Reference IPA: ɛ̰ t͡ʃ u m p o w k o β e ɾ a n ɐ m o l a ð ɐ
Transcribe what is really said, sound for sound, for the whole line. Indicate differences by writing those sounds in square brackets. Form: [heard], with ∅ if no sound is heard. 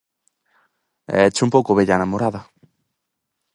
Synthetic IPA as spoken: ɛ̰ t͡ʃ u m p o w k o β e [ʎ] a n [a] m o [ɾ] a ð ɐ